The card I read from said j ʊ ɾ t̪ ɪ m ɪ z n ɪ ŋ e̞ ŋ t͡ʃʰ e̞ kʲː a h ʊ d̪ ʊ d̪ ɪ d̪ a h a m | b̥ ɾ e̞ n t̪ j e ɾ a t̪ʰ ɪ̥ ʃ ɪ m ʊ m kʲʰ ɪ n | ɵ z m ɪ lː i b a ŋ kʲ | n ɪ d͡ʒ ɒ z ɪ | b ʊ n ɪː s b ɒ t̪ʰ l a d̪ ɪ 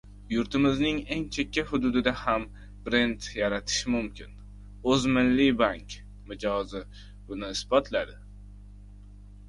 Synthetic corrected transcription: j ʊ ɾ t̪ ɪ m ɪ z n ɪ ŋ e̞ ŋ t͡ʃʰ e̞ kʲː a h ʊ d̪ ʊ d̪ ɪ d̪ a h a m | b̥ ɾ e̞ n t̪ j a ɾ a t̪ʰ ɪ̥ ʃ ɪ m ʊ m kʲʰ ɪ n | ɵ z m ɪ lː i b a ŋ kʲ | m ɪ d͡ʒ ɒ z ɪ | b ʊ n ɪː s b ɒ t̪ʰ l a d̪ ɪ

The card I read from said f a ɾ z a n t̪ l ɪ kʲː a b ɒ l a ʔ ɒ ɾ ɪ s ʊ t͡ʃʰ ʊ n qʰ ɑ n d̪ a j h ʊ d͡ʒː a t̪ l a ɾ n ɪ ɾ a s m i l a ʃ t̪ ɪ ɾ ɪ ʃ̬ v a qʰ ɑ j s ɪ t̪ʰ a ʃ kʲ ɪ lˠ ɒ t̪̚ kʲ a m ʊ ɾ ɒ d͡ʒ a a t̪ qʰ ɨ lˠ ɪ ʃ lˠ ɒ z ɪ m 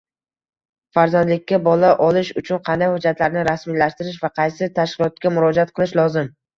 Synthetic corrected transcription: f a ɾ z a n d̪ l ɪ kʲː a b ɒ l a ʔ ɒ l ɪ ʃ ʊ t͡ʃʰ ʊ n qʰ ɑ n d̪ a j h ʊ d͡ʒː a t̪ l a ɾ n ɪ ɾ a s m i l a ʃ t̪ ɪ ɾ ɪ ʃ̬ v a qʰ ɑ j s ɪ t̪ʰ a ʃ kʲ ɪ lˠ ɒ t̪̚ kʲ a m ʊ ɾ ɒ d͡ʒ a a t̪ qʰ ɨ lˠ ɪ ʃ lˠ ɒ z ɪ m

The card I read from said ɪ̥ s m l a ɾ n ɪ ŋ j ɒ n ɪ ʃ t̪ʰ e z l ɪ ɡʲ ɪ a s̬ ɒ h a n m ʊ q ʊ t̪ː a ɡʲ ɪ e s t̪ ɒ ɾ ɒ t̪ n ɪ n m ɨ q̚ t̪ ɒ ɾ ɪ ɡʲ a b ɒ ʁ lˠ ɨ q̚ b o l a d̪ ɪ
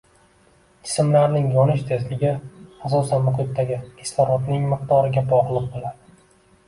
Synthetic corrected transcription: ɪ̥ s m l a ɾ n ɪ ŋ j ɒ n ɪ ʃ t̪ʰ e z l ɪ ɡʲ ɪ a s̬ ɒ s a n m ʊ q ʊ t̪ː a ɡʲ ɪ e s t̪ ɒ ɾ ɒ t̪ n ɪ ŋ m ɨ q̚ t̪ ɒ ɾ ɪ ɡʲ a b ɒ ʁ lˠ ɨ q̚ b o l a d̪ ɪ

